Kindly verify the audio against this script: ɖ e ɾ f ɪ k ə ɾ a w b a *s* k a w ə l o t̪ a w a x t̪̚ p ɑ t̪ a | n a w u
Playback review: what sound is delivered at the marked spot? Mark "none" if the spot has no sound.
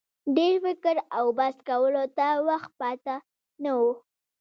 s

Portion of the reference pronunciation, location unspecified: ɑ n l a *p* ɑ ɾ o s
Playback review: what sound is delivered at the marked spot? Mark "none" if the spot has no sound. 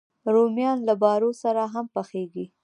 b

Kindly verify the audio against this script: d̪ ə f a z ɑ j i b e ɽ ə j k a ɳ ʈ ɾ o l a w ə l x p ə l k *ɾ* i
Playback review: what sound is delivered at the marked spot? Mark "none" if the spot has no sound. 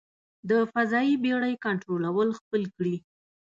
ɽ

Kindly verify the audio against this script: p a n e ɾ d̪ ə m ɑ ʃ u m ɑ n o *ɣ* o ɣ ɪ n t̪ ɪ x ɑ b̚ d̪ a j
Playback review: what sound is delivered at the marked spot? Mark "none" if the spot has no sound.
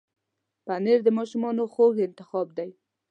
x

